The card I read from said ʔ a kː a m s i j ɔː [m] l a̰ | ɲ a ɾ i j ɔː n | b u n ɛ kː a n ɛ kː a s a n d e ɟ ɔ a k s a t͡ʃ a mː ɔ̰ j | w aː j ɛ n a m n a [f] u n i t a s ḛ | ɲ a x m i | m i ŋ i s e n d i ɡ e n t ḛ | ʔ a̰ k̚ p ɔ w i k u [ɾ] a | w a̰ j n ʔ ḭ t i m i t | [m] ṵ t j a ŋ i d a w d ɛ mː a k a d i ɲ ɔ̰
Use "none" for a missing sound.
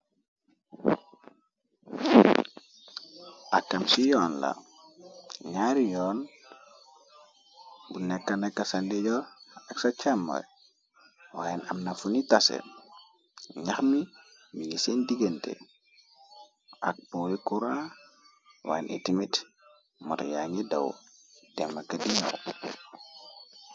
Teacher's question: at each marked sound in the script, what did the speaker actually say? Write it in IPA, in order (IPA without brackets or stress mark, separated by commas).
n, f, ɾ, m